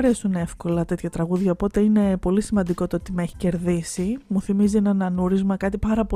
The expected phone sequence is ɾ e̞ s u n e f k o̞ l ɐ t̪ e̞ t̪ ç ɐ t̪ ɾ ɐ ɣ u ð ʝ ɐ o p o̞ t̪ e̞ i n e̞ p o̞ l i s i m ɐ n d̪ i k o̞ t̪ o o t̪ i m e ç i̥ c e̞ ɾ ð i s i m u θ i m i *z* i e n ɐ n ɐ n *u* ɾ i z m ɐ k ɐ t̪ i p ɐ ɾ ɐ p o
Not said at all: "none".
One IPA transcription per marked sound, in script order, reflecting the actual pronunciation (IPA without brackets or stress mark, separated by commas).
z, u